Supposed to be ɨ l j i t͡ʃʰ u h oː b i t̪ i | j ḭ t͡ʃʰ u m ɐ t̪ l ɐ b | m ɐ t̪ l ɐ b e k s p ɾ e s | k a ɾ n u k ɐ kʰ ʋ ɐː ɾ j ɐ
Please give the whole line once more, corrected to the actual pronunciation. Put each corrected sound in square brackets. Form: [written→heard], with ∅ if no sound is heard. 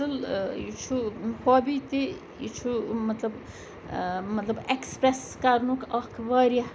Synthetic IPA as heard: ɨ l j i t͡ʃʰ u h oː b i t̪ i | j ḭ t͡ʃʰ u m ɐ t̪ l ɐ b | m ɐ t̪ l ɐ b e k s p ɾ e s | k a ɾ n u k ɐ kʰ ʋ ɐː ɾ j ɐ